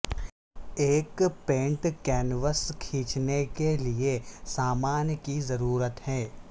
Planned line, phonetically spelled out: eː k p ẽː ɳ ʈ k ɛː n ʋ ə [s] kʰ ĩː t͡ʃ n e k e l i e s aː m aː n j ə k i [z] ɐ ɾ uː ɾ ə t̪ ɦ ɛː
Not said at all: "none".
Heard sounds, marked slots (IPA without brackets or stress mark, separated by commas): s, z